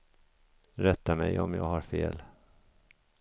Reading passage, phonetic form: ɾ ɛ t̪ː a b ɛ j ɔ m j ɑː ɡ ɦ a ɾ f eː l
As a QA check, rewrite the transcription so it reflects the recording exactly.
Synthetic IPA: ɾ ɛ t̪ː a m ɛ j ɔ m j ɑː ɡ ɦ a ɾ f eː l